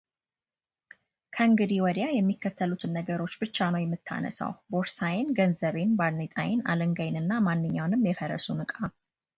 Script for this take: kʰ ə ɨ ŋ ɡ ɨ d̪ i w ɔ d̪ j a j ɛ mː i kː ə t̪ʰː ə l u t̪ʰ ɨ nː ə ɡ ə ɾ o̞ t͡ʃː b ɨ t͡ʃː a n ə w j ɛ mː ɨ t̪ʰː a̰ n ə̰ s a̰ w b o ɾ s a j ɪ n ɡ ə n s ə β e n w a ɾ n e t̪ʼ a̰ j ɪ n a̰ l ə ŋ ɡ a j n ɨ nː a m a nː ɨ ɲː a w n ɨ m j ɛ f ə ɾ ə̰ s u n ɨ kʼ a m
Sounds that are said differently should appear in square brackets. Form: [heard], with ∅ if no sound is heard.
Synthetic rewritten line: kʰ ə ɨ ŋ ɡ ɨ d̪ i w ɔ d̪ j a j ɛ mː i kː ə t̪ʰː ə l u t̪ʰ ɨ nː ə ɡ ə ɾ o̞ t͡ʃː b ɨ t͡ʃː a n ə w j ɛ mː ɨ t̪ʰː a̰ n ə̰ s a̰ w b o ɾ s a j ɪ n ɡ ə n [z] ə β e n [b] a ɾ n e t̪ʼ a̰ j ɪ n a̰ l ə ŋ ɡ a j n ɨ nː a m a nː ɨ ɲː a w n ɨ m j ɛ f ə ɾ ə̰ s u n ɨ kʼ a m